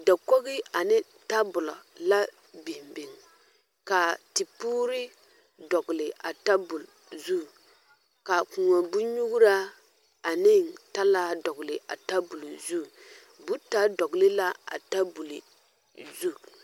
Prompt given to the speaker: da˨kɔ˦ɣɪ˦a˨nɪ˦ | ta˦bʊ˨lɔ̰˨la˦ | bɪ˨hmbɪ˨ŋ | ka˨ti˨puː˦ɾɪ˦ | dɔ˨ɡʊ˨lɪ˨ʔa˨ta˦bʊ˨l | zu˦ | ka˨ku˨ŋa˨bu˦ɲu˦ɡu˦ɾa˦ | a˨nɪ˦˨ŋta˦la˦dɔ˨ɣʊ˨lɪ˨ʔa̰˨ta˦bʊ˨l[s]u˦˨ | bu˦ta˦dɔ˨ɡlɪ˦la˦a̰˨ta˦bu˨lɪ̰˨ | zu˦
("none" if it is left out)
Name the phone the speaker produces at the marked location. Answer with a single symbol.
z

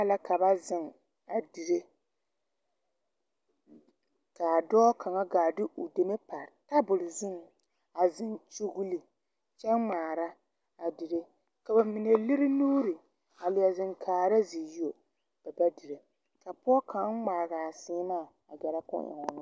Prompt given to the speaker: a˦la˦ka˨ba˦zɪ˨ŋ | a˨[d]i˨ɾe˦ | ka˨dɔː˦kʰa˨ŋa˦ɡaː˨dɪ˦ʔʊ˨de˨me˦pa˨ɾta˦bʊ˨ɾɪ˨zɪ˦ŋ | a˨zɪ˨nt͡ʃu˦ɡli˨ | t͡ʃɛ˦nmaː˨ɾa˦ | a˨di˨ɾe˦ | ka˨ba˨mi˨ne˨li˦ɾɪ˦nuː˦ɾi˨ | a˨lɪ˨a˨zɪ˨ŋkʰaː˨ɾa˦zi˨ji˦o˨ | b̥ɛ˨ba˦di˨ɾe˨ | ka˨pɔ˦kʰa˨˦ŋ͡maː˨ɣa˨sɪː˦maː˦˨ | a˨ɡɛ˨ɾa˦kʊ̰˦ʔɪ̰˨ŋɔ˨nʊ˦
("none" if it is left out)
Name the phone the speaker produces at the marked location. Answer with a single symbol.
d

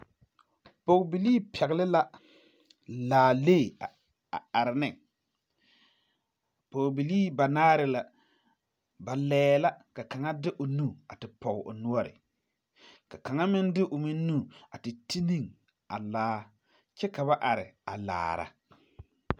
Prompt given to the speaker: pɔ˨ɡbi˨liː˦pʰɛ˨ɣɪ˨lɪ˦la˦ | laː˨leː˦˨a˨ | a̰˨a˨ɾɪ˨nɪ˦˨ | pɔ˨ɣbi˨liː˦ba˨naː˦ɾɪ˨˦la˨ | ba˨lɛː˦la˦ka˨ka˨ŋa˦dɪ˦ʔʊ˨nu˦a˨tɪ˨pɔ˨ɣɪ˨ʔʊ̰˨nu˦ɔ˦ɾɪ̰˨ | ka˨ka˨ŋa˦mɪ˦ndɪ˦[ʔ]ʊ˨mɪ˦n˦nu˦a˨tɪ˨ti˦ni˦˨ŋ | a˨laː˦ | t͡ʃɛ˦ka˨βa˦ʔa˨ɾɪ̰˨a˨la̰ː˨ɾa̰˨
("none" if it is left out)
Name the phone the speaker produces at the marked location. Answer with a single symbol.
ʔ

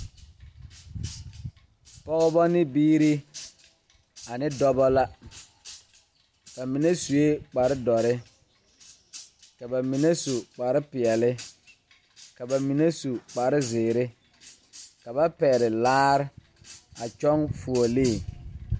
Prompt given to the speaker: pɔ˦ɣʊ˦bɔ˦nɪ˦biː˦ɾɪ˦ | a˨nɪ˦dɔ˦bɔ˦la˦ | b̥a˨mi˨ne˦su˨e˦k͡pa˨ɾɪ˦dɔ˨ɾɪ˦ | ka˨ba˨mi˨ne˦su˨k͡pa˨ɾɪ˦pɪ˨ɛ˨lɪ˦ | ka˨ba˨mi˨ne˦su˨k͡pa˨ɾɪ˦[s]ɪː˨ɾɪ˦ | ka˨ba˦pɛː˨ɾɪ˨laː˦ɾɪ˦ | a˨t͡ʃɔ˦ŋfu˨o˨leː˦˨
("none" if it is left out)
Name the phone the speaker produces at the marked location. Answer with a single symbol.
z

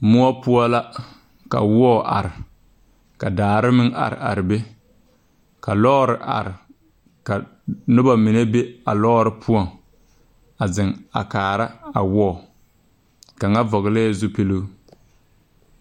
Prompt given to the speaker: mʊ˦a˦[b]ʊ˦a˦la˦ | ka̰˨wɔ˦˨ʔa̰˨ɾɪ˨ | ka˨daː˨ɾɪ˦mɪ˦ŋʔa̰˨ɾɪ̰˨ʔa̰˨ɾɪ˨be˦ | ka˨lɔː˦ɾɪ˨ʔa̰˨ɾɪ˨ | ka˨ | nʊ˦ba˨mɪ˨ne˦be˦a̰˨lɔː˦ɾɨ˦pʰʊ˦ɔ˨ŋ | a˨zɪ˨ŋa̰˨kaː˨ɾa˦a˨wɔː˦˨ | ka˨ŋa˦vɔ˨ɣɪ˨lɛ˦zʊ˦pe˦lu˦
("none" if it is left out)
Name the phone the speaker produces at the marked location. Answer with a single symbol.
p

